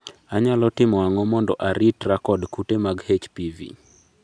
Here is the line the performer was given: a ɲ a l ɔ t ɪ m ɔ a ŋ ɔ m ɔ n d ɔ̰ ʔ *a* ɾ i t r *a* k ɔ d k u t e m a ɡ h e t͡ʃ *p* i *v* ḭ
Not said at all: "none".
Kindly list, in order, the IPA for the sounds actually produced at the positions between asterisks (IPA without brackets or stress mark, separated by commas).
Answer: a, a, p, v